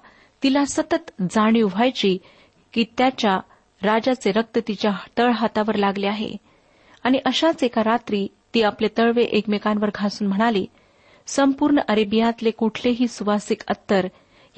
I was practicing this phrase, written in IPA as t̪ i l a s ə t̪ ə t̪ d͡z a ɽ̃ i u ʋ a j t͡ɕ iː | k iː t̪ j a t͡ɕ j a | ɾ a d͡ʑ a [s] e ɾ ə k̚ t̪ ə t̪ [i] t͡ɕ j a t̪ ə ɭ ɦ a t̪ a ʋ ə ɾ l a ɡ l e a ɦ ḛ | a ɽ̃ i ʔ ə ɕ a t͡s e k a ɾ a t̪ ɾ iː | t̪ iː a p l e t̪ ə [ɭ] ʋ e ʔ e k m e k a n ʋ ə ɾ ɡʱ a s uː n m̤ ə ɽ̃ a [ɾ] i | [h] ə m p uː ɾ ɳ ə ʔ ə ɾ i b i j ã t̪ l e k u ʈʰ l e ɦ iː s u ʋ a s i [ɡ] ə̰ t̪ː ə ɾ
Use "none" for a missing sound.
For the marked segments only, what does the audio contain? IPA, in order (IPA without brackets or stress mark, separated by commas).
t͡s, i, ɭ, l, s, k